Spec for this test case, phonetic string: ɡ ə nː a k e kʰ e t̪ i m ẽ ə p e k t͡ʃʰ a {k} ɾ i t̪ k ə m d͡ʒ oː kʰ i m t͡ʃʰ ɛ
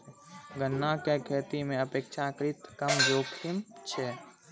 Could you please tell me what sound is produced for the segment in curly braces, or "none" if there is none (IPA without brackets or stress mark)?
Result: k